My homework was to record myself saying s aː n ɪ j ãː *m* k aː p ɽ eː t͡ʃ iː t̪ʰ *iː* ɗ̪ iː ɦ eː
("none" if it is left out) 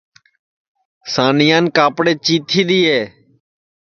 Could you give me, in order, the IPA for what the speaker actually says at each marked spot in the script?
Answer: n, iː

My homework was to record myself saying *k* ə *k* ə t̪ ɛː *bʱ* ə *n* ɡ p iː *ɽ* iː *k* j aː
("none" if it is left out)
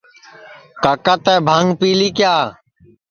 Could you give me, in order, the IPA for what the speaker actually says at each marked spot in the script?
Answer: k, k, bʱ, ŋ, l, k

